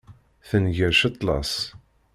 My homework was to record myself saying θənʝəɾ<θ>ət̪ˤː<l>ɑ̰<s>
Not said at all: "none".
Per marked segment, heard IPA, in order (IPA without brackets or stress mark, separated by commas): ʃ, l, s